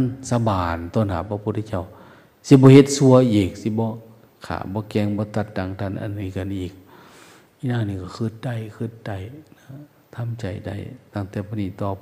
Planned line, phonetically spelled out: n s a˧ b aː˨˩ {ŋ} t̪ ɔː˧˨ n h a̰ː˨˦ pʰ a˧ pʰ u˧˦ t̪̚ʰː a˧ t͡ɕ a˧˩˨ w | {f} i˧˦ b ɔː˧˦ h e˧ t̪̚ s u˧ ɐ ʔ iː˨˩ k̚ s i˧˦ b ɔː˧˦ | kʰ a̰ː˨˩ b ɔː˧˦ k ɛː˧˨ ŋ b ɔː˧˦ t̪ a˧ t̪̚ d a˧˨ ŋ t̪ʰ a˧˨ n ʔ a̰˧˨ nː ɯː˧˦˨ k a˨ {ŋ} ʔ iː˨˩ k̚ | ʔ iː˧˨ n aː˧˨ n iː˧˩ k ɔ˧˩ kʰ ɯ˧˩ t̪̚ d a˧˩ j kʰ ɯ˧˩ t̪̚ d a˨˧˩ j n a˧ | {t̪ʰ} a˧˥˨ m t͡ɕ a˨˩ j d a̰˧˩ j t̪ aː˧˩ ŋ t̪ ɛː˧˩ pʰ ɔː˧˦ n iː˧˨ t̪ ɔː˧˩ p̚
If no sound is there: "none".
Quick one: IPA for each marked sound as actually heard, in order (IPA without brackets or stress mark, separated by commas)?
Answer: n, s, n, t̪ʰ